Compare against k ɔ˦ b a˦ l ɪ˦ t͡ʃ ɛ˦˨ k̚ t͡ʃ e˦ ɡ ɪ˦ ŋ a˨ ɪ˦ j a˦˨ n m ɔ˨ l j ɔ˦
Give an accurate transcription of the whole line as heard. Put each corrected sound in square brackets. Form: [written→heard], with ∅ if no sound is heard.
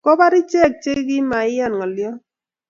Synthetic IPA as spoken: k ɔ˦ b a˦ [l→ɾ] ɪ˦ t͡ʃ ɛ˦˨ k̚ t͡ʃ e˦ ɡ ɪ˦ [ŋ→m] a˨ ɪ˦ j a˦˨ n [m→ŋ] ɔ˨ l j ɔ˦

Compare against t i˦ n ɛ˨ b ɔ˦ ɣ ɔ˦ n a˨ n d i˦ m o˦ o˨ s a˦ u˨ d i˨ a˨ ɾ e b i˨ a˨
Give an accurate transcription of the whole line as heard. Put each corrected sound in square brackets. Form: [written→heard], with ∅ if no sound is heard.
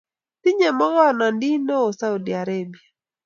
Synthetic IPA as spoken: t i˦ [n→ɲ] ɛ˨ [b→m] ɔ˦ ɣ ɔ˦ n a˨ n d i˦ [m→n] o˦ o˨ s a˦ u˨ d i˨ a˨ ɾ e b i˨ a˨

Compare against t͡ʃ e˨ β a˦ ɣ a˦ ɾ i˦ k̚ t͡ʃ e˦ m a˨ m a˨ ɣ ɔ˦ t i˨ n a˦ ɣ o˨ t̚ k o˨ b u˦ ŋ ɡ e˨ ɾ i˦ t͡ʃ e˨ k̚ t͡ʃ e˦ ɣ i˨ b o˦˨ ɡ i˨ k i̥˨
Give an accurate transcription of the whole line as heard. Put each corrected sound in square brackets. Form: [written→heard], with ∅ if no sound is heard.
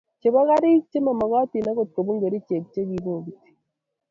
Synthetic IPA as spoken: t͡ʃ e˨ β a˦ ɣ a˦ ɾ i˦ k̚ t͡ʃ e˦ m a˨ m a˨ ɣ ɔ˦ t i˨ n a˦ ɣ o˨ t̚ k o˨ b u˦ ŋ ɡ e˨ ɾ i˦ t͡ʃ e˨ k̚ t͡ʃ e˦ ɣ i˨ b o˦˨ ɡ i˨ [k→t] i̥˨

